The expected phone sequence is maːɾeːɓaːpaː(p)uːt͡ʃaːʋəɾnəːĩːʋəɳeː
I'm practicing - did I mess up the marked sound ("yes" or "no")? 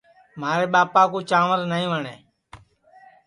yes